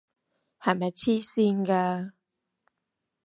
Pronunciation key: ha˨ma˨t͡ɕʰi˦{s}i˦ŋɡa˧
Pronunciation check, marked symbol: correct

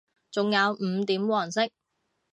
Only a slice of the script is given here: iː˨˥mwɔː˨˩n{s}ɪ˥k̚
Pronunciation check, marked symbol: correct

